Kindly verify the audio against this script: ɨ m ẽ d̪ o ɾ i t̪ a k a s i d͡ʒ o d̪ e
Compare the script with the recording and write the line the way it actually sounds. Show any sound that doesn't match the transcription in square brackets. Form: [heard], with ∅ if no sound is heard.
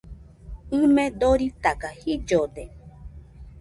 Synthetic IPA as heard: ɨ m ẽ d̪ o ɾ i t̪ a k a [h] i d͡ʒ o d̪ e